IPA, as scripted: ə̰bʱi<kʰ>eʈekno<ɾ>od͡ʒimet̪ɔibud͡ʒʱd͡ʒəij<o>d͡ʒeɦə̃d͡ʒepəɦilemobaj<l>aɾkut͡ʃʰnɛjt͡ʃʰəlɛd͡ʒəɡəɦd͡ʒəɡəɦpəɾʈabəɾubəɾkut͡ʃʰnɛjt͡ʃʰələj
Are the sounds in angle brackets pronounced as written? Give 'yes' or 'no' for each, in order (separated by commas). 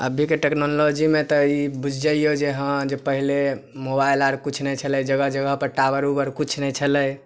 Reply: no, no, yes, yes